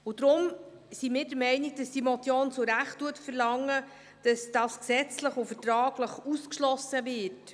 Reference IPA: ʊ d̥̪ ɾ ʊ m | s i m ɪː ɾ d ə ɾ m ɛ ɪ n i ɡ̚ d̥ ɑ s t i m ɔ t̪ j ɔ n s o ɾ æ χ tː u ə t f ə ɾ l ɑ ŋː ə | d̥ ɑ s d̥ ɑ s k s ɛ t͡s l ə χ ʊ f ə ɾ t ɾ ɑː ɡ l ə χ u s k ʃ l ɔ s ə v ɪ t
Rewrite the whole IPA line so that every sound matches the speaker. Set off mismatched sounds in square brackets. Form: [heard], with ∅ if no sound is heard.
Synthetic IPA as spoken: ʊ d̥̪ ɾ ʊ m | s i m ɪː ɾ d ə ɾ m ɛ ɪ n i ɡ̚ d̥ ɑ s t i m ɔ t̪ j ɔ n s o ɾ æ χ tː u ə t f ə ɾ l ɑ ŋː ə | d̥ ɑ s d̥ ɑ s k s ɛ t͡s l ə χ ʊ f ə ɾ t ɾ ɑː ɡ l ə χ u s k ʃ l ɔ s ə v ɪ t